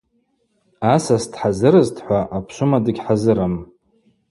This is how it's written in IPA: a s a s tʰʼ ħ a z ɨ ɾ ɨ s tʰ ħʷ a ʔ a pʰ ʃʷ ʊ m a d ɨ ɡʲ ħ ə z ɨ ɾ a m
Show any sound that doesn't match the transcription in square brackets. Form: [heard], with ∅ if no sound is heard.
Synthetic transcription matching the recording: a s a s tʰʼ ħ a z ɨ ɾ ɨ [z] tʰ ħʷ a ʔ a pʰ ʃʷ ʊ m a d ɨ ɡʲ ħ [a] z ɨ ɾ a m